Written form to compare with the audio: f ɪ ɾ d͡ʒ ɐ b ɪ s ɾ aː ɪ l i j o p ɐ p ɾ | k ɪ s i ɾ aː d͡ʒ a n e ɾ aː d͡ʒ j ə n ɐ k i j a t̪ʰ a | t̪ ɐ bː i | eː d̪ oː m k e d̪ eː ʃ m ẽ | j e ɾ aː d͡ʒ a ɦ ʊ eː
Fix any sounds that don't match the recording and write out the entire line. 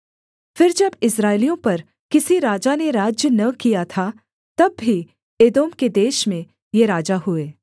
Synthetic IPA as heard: f ɪ ɾ d͡ʒ ɐ b ɪ s ɾ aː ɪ l i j õ p ɐ ɾ | k ɪ s i ɾ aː d͡ʒ a n e ɾ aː d͡ʒ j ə n ɐ k i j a t̪ʰ a | t̪ ɐ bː i | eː d̪ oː m k e d̪ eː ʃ m ẽ | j e ɾ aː d͡ʒ a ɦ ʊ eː